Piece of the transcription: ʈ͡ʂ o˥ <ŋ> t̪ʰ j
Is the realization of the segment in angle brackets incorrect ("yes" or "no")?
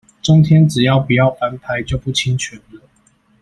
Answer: no